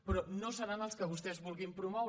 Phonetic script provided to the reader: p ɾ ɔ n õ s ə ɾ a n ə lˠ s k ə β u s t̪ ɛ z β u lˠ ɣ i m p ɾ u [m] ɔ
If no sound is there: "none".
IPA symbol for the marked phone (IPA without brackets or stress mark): m